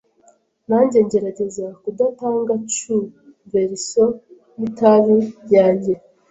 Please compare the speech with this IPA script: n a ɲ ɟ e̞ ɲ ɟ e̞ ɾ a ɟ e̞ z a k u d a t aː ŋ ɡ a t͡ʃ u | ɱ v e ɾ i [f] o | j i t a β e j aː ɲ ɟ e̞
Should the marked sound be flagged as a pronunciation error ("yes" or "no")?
yes